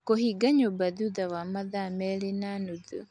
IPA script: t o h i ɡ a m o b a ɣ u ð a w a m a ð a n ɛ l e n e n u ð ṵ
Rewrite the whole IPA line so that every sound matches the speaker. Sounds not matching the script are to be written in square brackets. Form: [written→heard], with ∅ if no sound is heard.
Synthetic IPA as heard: [t→k] o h i ɡ a [m→ɲ] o b a [ɣ→ð] u ð a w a m a ð a [n→m] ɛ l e n [e→a] n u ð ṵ

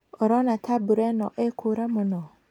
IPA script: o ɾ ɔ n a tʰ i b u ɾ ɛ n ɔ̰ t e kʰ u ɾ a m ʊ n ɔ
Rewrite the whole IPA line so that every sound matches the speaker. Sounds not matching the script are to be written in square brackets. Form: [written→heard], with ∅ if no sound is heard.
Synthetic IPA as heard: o ɾ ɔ n a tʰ [i→a] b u ɾ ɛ n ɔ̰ [t→ʔ] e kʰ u ɾ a m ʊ n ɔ

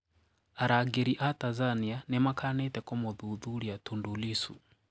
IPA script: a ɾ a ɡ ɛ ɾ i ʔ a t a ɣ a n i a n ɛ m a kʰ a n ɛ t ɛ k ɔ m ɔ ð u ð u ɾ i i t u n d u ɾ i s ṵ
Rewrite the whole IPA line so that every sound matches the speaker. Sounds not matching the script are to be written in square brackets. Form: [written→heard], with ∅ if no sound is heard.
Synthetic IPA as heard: a ɾ a ɡ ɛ ɾ i ʔ a t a [ɣ→z] a n i a n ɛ m a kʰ a n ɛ t ɛ k ɔ m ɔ ð u ð u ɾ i [i→a] t u n d u [ɾ→l] i s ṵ

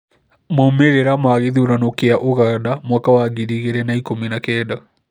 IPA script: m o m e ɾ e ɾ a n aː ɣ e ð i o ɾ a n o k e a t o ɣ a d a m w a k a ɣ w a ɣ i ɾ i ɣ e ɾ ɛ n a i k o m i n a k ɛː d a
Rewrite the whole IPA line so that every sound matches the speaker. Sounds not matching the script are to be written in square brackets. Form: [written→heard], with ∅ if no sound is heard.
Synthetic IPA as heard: m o m e ɾ e ɾ a [n→m] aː ɣ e ð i o ɾ a n o k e a [t→ʔ] o ɣ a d a m w a k a [ɣ→∅] w a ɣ i ɾ i ɣ e ɾ ɛ n a i k o m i n a k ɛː d a

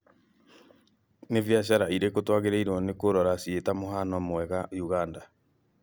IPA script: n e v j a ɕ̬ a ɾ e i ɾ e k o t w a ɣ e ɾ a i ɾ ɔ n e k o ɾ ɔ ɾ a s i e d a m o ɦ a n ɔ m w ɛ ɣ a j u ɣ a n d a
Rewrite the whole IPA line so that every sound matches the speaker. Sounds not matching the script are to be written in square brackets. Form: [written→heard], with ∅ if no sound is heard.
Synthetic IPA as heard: n e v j a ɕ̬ a ɾ [e→a] i ɾ e k o t w a ɣ e ɾ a i ɾ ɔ n e k o ɾ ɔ ɾ a s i e [d→t] a m o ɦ a n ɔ m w ɛ ɣ a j u ɣ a n d a

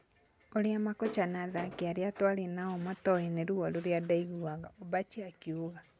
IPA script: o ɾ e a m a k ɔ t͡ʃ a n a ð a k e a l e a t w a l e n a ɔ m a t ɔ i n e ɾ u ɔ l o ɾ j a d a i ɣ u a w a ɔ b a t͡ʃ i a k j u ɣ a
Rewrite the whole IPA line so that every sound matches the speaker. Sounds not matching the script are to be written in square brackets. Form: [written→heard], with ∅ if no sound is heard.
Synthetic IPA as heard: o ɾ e a m a k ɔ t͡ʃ a n a ð a k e a [l→ɾ] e a t w a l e n a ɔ m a t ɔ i n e ɾ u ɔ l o ɾ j a d a i ɣ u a [w→ɣ] a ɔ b a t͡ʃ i a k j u ɣ a

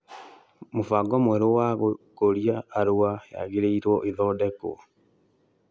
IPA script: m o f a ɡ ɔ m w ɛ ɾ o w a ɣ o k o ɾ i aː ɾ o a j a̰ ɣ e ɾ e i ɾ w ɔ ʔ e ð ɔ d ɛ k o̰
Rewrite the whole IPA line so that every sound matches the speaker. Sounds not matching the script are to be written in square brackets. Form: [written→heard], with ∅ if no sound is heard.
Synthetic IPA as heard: m o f a ɡ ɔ m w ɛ ɾ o w a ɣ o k o ɾ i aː ɾ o a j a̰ ɣ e ɾ e i ɾ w ɔ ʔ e ð ɔ d ɛ k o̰

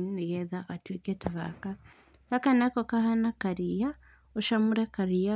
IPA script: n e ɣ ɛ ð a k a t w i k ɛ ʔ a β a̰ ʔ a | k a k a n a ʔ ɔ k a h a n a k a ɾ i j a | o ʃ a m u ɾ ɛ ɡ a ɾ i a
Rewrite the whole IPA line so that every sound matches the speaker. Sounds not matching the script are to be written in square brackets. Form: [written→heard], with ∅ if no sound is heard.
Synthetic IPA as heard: n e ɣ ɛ ð a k a t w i k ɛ [ʔ→t] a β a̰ [ʔ→k] a | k a k a n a [ʔ→k] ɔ k a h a n a k a ɾ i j a | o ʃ a m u ɾ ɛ [ɡ→k] a ɾ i a

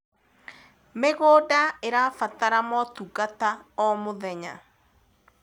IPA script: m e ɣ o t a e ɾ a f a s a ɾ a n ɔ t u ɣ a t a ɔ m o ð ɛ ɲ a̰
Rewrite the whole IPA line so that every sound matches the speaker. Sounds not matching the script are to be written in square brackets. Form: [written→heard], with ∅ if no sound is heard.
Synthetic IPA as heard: m e ɣ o [t→d] a e ɾ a f a [s→t] a ɾ a [n→m] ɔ t u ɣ a t a ɔ m o ð ɛ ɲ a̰

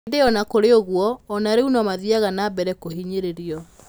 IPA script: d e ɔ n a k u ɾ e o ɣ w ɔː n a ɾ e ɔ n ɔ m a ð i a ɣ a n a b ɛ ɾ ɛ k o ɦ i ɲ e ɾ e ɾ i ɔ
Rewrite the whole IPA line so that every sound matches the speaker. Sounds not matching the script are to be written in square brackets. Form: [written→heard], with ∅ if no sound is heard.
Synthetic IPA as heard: d e ɔ n a k [u→o] ɾ e o ɣ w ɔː n a ɾ e [ɔ→u] n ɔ m a ð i a ɣ a n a b ɛ ɾ ɛ k o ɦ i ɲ e ɾ e ɾ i ɔ

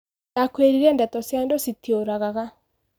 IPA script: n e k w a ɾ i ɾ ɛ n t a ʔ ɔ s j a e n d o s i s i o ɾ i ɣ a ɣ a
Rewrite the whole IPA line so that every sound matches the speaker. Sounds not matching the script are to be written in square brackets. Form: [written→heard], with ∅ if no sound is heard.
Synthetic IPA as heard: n [e→a] k w [a→e] ɾ i ɾ ɛ n [t→d] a [ʔ→t] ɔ s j a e n d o s i [s→t] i o ɾ [i→a] ɣ a ɣ a

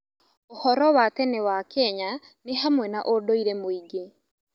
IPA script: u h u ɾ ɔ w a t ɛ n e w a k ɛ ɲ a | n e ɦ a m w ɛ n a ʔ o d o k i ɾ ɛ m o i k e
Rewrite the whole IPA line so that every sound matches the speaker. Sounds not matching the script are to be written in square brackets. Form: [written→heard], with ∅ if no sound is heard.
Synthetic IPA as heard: [u→o] h [u→ɔ] ɾ ɔ w a t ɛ n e w a k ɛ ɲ a | n e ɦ a m w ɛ n a ʔ o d o [k→∅] i ɾ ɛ m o i [k→ɡ] e

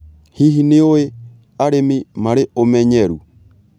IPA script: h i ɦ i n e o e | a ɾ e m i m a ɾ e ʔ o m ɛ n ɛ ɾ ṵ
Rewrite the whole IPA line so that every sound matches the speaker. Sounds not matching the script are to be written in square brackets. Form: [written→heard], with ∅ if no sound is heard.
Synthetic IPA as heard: h i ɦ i n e o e | a ɾ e m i m a ɾ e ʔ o m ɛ [n→ɲ] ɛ ɾ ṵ

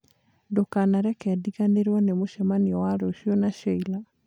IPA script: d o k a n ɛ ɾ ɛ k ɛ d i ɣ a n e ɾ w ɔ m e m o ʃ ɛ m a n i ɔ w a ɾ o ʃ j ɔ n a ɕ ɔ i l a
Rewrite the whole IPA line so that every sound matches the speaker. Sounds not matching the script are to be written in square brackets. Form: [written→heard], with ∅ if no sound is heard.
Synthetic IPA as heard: d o k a n [ɛ→a] ɾ ɛ k ɛ d i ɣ a n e ɾ w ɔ [m→n] e m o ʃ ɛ m a n i ɔ w a ɾ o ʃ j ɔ n a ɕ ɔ i l a

